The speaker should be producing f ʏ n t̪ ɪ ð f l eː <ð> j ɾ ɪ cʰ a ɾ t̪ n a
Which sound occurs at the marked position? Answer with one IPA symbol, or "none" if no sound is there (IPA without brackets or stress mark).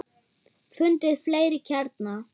none